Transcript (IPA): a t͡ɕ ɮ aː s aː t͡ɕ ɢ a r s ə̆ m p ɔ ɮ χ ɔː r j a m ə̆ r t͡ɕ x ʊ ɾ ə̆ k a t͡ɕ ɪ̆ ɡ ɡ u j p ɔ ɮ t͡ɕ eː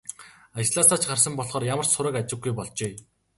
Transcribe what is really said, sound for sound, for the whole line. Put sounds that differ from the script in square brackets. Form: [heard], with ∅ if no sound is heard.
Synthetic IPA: a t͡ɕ ɮ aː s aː t͡ɕ ɢ a r s ə̆ m p ɔ ɮ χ ɔː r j a m ə̆ r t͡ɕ [s] ʊ ɾ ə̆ k a t͡ɕ ɪ̆ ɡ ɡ u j p ɔ ɮ t͡ɕ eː